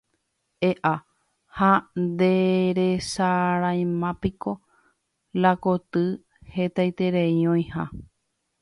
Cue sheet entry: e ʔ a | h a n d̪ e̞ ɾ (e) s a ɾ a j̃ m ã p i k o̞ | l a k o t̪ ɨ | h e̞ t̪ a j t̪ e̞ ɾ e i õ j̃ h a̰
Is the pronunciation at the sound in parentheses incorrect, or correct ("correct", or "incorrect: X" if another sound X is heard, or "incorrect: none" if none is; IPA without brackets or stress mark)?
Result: correct